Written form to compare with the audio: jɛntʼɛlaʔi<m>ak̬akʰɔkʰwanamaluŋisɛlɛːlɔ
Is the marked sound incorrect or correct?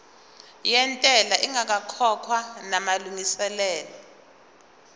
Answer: incorrect